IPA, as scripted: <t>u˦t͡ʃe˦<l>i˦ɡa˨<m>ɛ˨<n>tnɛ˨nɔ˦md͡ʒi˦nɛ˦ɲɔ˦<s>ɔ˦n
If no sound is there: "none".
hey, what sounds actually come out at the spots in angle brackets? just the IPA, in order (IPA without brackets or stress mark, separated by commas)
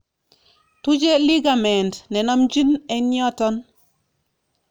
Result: t, l, m, n, t